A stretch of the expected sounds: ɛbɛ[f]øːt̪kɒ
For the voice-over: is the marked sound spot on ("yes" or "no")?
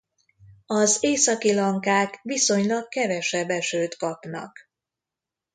no